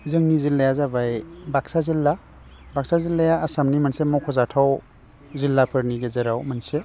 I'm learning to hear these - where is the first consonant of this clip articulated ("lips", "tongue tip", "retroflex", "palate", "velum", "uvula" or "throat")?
tongue tip